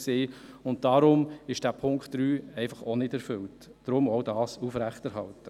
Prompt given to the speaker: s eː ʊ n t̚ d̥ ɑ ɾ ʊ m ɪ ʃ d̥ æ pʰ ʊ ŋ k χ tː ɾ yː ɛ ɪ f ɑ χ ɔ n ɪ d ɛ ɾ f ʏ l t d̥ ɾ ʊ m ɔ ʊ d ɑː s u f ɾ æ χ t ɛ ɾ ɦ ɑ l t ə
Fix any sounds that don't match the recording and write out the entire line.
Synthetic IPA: s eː ʊ n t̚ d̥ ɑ ɾ ʊ m ɪ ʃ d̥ æ pʰ ʊ ŋ k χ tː ɾ yː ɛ ɪ f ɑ χ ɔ n ɪ d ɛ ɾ f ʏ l t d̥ ɾ ʊ m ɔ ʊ d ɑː s u f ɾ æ χ t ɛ ɾ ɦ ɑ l t ə